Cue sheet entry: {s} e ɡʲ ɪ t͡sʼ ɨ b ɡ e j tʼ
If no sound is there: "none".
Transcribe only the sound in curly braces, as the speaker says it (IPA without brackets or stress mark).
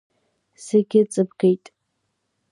s